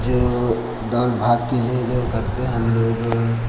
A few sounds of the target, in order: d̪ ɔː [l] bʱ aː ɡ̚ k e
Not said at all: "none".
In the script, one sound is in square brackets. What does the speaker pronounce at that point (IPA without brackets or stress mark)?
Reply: l